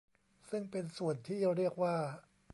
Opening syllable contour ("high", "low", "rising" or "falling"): falling